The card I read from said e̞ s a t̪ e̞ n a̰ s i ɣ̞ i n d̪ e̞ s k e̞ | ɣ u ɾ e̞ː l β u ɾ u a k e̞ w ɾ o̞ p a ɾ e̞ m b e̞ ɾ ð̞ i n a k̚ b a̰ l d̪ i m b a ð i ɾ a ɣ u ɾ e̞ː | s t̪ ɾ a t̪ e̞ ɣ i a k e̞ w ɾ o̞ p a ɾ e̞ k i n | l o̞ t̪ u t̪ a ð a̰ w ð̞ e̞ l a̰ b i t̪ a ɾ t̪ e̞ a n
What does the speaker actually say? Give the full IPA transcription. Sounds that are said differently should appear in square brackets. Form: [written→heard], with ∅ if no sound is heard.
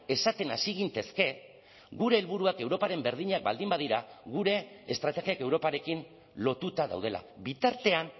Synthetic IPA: e̞ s a t̪ e̞ n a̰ s i ɣ̞ i n [d̪→t̪] e̞ s k e̞ | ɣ u ɾ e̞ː l β u ɾ u a k e̞ w ɾ o̞ p a ɾ e̞ m b e̞ ɾ ð̞ i [n→ɲ] a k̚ b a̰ l d̪ i m b a ð i ɾ a ɣ u ɾ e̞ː | s t̪ ɾ a t̪ e̞ ɣ i a k e̞ w ɾ o̞ p a ɾ e̞ k i n | l o̞ t̪ u t̪ a ð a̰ w ð̞ e̞ l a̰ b i t̪ a ɾ t̪ e̞ a n

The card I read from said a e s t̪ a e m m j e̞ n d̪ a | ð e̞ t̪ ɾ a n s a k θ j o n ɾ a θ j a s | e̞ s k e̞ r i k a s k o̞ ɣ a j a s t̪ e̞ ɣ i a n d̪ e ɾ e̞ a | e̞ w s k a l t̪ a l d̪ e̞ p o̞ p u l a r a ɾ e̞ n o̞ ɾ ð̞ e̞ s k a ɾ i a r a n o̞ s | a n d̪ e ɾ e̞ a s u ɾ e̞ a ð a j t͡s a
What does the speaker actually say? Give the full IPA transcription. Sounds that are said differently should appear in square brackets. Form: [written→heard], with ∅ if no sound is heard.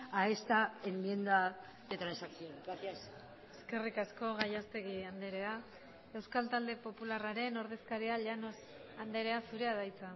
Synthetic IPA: a e s t̪ a e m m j e̞ n d̪ a | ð e̞ t̪ ɾ a n s a k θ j o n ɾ a θ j a s | e̞ s k e̞ r i k a s k o̞ ɣ a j a s t̪ e̞ ɣ i a n d̪ e ɾ e̞ a | e̞ w s k a l t̪ a l d̪ e̞ p o̞ p u l a r a ɾ e̞ n o̞ ɾ ð̞ e̞ s k a ɾ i a [r→ʎ] a n o̞ s | a n d̪ e ɾ e̞ a s u ɾ e̞ a ð a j t͡s a

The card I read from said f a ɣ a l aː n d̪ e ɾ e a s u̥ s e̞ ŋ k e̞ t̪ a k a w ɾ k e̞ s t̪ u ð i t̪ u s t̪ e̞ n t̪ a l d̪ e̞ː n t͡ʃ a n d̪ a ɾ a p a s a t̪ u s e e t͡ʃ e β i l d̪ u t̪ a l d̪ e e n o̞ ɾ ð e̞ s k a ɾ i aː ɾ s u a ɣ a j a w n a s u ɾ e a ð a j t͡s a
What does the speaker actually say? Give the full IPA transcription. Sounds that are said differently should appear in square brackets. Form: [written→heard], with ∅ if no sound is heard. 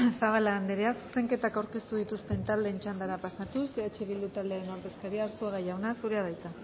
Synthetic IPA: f a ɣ a l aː n d̪ e ɾ e a s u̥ s e̞ ŋ k e̞ t̪ a k a w ɾ k e̞ s t̪ u ð i t̪ u s t̪ e̞ n t̪ a l d̪ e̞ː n t͡ʃ a n d̪ a ɾ a p a s a t̪ u s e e t͡ʃ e β i l d̪ u t̪ a l d̪ e e n o̞ ɾ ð e̞ s k a ɾ i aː ɾ s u a ɣ a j a w n a s u ɾ e a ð a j t͡s a

